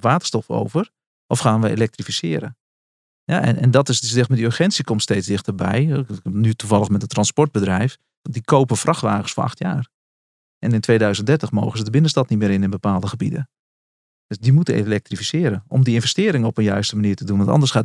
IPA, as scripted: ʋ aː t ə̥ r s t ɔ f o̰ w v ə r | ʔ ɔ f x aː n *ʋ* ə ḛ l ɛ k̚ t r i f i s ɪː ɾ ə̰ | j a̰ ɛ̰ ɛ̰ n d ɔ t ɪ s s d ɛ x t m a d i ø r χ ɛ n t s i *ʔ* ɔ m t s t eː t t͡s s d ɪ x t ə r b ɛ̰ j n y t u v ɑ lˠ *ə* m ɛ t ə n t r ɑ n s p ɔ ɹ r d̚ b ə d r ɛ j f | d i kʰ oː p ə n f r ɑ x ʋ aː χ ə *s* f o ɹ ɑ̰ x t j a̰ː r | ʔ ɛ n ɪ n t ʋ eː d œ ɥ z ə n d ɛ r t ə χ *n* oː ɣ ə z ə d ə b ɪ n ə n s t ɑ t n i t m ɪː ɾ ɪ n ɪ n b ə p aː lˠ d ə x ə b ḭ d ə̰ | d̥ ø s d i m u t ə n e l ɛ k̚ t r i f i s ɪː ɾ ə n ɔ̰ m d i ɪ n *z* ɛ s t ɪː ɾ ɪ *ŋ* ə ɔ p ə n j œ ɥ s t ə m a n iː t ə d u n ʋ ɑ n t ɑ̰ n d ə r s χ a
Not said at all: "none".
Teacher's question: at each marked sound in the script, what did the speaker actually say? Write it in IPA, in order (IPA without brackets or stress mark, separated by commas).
ʋ, k, ə, s, m, v, ŋ